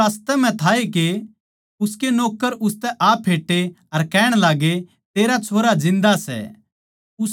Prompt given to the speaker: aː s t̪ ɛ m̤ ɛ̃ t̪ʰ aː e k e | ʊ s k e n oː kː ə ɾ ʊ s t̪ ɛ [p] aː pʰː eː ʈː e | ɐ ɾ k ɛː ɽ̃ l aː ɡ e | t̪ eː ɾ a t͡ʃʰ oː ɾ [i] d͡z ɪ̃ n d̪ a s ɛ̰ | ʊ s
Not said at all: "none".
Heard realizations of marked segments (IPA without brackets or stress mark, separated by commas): ʔ, a